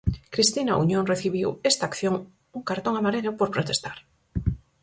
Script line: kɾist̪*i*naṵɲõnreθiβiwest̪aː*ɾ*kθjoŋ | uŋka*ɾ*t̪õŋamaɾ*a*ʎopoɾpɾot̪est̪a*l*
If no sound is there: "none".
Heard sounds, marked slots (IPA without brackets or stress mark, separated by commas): i, none, ɾ, e, ɾ